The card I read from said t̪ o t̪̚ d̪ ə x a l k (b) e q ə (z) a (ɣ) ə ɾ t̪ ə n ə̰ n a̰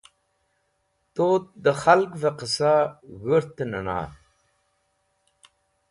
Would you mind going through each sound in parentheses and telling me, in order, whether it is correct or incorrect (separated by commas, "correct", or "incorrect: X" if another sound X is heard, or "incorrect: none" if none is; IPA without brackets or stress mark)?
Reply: incorrect: v, incorrect: s, correct